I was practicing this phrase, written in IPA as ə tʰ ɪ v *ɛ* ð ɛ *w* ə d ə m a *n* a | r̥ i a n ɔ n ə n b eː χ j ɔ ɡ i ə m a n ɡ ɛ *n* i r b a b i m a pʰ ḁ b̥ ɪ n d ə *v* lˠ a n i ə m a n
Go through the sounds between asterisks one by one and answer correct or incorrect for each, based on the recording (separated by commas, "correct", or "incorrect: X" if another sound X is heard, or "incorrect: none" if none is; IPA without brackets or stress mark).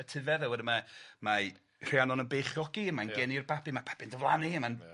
correct, correct, incorrect: m, correct, correct